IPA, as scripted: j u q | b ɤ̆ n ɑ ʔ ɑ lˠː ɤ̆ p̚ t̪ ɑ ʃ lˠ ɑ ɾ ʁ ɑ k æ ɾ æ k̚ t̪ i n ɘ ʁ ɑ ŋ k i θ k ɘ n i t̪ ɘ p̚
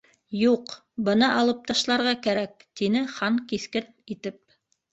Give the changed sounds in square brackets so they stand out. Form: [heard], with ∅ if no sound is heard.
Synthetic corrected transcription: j u q | b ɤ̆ n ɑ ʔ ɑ [lˠ] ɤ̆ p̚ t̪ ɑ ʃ lˠ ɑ ɾ ʁ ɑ k æ ɾ æ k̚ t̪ i n ɘ [χ] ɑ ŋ k i θ k ɘ n i t̪ ɘ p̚